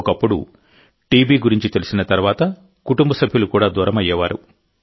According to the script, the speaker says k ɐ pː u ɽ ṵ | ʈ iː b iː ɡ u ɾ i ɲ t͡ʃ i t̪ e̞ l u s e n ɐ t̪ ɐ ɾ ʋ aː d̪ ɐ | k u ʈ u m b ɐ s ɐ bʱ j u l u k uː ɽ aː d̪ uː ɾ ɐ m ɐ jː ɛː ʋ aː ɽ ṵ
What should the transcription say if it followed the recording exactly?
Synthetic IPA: k ɐ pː u ɽ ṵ | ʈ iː b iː ɡ u ɾ i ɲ t͡ʃ i t̪ e̞ l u s i n ɐ t̪ ɐ ɾ ʋ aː t̪ ɐ | k u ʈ u m b ɐ s ɐ bʱ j u l u k uː ɽ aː d̪ uː ɾ ɐ m ɐ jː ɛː ʋ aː ɾ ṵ